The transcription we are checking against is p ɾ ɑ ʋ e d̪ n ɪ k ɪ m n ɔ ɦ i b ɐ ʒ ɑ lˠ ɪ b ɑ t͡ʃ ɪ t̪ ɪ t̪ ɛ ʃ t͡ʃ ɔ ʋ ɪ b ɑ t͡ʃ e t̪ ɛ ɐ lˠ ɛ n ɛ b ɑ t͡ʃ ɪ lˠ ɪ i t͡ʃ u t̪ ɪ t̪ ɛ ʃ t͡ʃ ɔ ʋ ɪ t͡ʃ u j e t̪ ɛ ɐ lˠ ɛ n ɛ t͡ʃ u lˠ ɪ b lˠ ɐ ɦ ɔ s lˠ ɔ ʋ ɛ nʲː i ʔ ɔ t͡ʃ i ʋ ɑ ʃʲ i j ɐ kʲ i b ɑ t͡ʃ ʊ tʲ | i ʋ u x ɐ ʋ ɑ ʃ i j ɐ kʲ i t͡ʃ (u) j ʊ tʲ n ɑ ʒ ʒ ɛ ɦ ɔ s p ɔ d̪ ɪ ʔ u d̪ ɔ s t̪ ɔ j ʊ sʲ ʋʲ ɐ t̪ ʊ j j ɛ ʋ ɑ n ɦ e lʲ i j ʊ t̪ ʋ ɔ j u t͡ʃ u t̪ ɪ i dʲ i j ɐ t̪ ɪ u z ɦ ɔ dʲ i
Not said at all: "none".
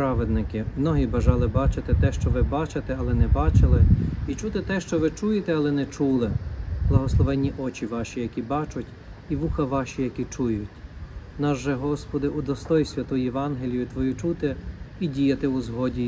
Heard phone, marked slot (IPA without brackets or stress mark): u